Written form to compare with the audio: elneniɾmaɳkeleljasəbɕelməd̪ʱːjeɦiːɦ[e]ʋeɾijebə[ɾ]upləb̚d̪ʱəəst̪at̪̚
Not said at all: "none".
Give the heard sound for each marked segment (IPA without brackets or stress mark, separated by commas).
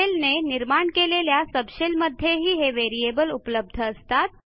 e, l